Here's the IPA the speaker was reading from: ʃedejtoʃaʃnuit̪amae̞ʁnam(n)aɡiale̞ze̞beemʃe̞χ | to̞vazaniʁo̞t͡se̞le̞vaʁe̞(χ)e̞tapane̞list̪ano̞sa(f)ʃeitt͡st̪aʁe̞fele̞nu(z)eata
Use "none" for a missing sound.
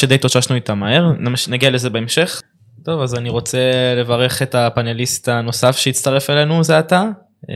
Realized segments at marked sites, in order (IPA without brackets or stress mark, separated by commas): n, χ, f, z